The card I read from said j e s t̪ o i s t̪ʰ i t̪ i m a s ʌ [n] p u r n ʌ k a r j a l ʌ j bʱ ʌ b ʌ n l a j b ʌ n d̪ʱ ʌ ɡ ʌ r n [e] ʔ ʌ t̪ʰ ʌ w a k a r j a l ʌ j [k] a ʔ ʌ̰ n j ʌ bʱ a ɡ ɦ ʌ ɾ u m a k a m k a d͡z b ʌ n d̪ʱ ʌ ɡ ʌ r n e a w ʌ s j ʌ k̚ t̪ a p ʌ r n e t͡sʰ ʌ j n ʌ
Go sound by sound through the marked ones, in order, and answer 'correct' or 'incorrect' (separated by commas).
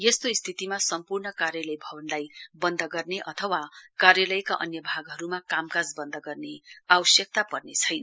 incorrect, correct, correct